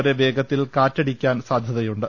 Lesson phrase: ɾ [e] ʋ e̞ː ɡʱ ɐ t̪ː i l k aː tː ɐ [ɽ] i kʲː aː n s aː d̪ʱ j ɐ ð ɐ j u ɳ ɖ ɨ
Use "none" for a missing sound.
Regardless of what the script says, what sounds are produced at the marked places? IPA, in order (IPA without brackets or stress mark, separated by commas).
e, ɽ